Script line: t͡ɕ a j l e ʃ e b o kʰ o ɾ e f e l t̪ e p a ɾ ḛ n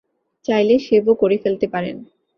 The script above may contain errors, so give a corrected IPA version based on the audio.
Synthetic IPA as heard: t͡ɕ a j l e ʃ e b o k o ɾ e f e l t̪ e p a ɾ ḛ n